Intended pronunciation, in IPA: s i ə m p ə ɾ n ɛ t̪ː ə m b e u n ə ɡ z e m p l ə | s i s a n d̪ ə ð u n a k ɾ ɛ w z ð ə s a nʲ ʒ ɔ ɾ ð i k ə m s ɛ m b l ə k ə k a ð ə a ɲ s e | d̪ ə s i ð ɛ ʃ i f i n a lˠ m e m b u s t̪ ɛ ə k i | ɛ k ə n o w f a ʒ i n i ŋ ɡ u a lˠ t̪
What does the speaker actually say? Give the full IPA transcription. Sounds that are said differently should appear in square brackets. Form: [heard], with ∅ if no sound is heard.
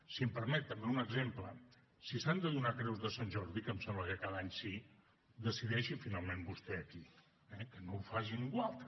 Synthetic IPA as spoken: s i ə m p ə ɾ [m] ɛ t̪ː ə m b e u n ə ɡ z e m p l ə | s i s a n d̪ ə ð u n a k ɾ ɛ w z ð ə s a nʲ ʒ ɔ ɾ ð i k ə m s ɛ m b l ə k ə k a ð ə a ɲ s [i] | d̪ ə s i ð ɛ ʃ i f i n a lˠ m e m b u s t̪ ɛ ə k i | ɛ k ə n o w f a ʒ i n i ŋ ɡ [w] a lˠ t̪